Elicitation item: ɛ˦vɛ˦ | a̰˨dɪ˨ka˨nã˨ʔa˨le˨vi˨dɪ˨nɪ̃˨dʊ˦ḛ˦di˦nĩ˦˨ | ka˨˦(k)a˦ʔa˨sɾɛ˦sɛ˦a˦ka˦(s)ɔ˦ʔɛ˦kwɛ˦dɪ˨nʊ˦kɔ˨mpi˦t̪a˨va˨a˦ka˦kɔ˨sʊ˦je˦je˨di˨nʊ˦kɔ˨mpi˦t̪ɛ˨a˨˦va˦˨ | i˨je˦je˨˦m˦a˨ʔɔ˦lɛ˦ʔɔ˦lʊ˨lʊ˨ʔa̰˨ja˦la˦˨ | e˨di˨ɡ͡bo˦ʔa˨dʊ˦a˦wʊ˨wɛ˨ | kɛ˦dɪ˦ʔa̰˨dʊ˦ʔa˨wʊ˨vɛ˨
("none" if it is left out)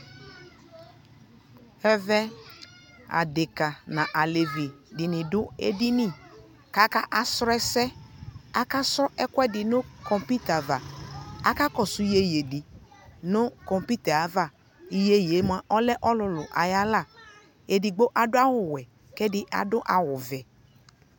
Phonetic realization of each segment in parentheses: k, s

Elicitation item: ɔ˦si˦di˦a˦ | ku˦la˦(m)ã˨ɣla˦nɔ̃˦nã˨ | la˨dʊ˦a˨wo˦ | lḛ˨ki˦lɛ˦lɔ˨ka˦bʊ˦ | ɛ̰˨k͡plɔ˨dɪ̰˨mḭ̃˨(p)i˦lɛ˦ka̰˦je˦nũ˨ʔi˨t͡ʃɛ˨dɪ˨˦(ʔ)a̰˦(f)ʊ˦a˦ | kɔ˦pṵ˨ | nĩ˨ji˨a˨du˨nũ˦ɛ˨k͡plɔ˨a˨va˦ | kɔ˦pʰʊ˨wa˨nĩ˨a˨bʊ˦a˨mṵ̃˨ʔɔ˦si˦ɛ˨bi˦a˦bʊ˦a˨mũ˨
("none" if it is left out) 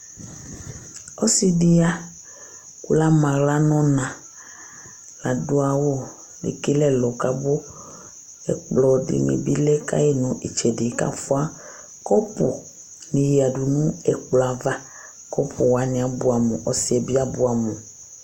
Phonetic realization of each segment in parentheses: m, b, k, f

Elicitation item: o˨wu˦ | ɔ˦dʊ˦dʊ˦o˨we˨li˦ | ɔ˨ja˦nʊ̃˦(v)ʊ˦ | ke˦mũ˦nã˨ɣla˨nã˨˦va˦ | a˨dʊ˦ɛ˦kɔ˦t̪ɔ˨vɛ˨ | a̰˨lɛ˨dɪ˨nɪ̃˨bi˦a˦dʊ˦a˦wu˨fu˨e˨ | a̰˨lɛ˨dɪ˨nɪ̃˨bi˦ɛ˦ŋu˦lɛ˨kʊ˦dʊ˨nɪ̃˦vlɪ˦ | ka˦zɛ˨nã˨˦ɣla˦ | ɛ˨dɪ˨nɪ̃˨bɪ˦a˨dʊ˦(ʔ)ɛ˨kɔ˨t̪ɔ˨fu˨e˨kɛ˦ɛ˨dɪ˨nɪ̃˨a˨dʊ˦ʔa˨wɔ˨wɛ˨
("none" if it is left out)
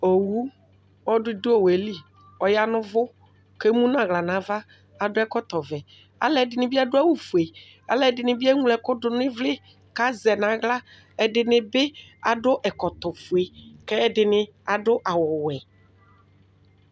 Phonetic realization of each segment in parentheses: v, ʔ

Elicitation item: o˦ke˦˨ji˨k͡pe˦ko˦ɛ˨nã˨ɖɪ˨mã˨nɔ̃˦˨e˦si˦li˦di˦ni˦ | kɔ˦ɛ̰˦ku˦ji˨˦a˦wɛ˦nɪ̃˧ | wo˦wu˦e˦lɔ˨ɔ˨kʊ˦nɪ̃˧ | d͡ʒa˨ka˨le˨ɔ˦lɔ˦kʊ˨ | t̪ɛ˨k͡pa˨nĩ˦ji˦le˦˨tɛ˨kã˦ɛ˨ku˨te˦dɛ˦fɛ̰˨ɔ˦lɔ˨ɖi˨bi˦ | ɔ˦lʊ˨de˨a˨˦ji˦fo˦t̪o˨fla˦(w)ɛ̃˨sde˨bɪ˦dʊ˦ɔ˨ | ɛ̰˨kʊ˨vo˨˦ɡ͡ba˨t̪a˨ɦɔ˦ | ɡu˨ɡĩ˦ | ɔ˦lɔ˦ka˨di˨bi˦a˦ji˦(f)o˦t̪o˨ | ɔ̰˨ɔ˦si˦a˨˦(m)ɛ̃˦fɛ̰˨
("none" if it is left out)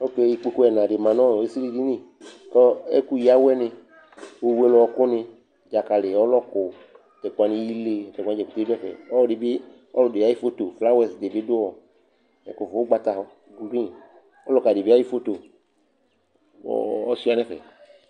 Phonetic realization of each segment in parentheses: w, f, n

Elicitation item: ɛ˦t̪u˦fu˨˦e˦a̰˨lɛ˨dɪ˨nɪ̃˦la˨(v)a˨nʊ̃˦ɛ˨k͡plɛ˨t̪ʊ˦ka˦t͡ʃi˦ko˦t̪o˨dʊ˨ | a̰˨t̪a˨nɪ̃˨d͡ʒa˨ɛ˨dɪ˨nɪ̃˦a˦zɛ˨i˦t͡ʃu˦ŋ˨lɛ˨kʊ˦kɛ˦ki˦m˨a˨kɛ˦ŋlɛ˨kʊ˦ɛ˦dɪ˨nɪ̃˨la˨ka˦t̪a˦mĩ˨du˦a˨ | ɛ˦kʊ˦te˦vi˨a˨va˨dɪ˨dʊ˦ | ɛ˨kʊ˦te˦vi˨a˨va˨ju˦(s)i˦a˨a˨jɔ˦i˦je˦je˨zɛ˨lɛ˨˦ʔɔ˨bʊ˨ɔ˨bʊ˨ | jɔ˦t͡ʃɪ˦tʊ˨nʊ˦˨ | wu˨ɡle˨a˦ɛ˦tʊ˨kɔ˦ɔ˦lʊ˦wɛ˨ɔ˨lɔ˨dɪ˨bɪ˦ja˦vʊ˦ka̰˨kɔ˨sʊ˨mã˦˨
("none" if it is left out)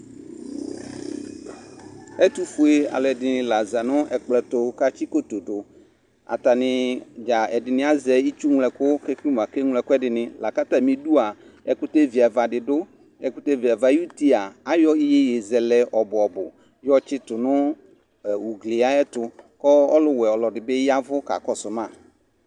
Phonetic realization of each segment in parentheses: z, t

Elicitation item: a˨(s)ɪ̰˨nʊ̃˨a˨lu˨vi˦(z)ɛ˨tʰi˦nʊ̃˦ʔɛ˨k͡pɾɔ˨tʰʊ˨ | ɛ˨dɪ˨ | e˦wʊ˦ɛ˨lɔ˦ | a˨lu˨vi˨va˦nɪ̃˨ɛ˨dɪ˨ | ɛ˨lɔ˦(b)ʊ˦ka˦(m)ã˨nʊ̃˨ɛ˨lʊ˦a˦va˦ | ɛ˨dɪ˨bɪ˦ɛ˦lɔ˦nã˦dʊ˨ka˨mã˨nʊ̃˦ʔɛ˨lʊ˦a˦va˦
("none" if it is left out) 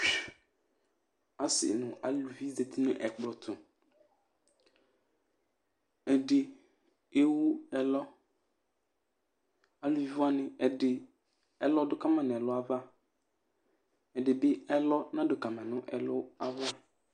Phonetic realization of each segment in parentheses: s, z, d, m

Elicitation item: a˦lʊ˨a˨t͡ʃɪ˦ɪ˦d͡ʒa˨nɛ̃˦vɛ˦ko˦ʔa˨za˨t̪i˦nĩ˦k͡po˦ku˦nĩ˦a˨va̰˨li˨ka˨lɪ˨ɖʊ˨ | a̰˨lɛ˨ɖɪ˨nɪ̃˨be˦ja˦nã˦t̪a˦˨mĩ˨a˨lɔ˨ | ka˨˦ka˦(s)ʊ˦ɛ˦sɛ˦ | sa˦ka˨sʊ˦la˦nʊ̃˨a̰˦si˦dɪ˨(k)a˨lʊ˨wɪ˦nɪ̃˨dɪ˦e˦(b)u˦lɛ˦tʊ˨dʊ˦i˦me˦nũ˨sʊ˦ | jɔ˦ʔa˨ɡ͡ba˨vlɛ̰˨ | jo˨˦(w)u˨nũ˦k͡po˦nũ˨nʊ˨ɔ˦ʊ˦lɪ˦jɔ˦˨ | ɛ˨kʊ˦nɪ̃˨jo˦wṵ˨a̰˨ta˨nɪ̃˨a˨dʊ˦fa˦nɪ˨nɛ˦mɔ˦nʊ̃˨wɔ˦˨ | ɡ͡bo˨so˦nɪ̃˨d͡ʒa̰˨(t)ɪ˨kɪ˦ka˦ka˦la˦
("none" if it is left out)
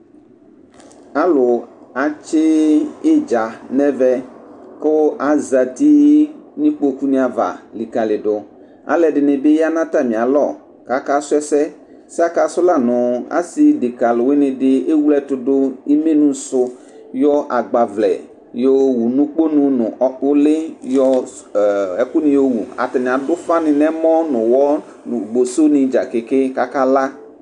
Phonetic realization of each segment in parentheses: s, k, w, w, k

